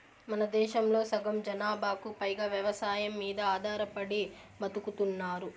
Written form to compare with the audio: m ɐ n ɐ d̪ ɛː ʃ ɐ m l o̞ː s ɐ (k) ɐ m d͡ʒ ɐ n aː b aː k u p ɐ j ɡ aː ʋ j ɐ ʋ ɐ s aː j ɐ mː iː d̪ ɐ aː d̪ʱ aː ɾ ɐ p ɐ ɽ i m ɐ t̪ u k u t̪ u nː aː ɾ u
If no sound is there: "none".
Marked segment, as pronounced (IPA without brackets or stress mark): ɡ